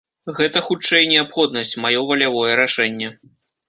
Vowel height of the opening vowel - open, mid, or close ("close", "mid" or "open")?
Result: mid